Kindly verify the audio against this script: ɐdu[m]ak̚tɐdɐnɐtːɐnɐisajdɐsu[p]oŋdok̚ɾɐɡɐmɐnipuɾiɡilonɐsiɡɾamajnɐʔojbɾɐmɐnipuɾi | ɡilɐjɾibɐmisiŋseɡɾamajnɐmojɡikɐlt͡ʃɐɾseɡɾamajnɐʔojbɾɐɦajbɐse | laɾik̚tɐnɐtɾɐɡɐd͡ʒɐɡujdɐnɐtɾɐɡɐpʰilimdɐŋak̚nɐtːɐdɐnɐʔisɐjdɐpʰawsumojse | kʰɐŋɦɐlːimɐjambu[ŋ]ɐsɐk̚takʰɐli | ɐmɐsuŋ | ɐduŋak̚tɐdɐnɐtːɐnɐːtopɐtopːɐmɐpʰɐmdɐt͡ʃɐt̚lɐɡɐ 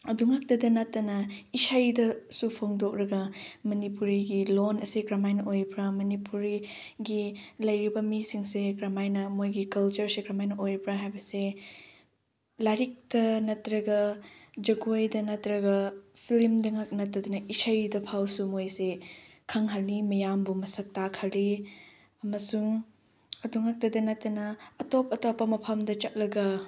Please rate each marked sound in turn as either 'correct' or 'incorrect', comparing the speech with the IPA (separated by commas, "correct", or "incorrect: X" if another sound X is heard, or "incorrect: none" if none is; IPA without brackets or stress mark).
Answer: incorrect: ŋ, incorrect: pʰ, incorrect: m